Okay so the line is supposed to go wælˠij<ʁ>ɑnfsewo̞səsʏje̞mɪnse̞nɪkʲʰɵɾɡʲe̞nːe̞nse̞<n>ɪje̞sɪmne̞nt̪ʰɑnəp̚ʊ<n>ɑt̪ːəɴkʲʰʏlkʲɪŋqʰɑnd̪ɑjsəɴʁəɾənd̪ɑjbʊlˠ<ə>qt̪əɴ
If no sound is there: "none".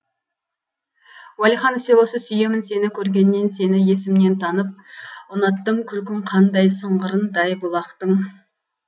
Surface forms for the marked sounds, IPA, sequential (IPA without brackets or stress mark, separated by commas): χ, n, n, ɑ